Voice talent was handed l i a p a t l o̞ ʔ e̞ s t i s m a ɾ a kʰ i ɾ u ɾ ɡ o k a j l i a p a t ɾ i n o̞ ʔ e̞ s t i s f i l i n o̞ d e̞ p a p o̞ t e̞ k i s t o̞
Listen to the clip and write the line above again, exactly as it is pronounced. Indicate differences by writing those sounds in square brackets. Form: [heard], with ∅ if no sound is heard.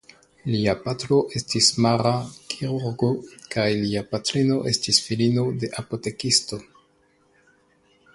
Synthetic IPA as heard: l i a p a t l o̞ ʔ e̞ s t i s m a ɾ a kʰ i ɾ u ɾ ɡ o k a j l i a p a t ɾ i n o̞ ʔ e̞ s t i s f i l i n o̞ d e̞ [ʔ] a p o̞ t e̞ k i s t o̞